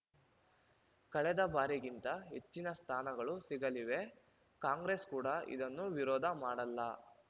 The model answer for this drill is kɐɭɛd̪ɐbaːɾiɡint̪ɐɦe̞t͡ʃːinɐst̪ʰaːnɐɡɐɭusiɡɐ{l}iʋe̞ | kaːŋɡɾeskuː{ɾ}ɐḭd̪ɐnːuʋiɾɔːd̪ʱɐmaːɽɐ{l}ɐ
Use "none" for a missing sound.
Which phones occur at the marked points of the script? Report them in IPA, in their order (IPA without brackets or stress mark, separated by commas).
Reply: l, ɽ, lː